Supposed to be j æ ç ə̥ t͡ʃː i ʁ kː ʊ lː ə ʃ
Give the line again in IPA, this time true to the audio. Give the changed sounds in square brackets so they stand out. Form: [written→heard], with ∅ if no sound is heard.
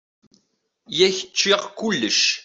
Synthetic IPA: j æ ç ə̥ t͡ʃː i ʁ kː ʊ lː ə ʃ